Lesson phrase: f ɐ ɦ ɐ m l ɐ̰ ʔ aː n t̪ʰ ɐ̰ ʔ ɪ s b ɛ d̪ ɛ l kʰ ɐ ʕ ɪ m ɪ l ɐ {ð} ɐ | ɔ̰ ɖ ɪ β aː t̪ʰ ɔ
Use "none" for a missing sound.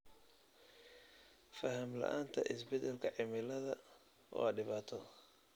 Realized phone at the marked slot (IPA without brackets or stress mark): ð